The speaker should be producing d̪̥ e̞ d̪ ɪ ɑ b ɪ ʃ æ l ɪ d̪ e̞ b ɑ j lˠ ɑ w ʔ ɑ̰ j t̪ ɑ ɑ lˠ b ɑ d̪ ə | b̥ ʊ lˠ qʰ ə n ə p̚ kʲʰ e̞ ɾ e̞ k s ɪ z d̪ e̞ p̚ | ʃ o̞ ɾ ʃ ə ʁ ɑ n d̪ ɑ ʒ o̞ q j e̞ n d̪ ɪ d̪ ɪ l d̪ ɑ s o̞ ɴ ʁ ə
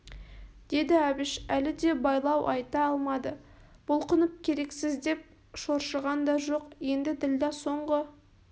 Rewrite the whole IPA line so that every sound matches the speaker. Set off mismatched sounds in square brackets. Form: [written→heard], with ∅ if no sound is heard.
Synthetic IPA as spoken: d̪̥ e̞ d̪ ɪ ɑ b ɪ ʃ æ l ɪ d̪ e̞ b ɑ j lˠ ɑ w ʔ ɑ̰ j t̪ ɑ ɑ lˠ [b→m] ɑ d̪ ə | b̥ ʊ lˠ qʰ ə n ə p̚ kʲʰ e̞ ɾ e̞ k s ɪ z d̪ e̞ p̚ | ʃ o̞ ɾ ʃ ə ʁ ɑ n d̪ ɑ ʒ o̞ q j e̞ n d̪ ɪ d̪ ɪ l d̪ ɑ s o̞ ɴ ʁ ə